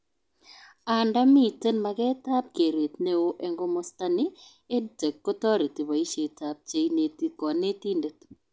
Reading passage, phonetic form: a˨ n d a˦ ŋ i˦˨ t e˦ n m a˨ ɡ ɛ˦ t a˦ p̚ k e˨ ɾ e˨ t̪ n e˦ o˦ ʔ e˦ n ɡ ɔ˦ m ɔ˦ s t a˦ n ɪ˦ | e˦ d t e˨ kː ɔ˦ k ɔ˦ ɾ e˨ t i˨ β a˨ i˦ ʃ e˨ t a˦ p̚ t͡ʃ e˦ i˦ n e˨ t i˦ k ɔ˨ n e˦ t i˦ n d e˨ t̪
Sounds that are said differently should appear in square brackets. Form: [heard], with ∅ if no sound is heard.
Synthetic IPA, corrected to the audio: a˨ n d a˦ [m] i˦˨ t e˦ n m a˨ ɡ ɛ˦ t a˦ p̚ k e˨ ɾ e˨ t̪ n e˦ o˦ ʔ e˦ [ŋ] ɡ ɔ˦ m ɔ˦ s t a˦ n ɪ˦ | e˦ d t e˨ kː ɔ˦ [t] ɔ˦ ɾ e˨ t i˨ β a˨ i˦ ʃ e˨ t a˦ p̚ t͡ʃ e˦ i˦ n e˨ t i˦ k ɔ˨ n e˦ t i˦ n d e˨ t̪

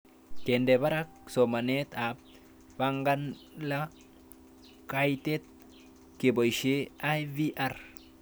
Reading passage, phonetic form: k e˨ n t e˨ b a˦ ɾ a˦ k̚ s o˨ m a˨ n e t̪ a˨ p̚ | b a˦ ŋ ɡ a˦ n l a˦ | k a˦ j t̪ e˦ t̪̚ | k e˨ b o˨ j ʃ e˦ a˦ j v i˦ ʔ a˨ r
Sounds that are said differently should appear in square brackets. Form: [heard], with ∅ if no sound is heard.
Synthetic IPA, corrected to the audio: k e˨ n [d] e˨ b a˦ ɾ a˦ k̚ s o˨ m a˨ n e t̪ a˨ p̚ | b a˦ ŋ ɡ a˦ n l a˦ | k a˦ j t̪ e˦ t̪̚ | k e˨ b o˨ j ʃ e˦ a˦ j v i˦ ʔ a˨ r

